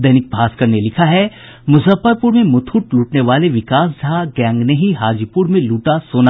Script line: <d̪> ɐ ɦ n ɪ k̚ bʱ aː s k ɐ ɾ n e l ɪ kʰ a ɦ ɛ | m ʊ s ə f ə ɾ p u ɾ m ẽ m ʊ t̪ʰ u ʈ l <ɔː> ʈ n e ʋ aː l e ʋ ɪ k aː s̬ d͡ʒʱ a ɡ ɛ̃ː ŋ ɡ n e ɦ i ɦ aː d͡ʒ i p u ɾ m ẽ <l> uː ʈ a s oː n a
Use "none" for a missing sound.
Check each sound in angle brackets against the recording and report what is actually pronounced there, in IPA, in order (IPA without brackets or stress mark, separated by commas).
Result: d̪, uː, l